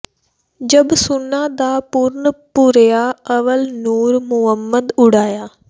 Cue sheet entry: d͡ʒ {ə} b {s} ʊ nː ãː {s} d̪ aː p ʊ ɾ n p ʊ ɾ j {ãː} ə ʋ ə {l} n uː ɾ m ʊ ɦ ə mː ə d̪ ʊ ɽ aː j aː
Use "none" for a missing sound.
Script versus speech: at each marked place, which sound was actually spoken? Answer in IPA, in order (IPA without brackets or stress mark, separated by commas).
ə, s, none, aː, l